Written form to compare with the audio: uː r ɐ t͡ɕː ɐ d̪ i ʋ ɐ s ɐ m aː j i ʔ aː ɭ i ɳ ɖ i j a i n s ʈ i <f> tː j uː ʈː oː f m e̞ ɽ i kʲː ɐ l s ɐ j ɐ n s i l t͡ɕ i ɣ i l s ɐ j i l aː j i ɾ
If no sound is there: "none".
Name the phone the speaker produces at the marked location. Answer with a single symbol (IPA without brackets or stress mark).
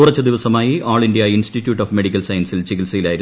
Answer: none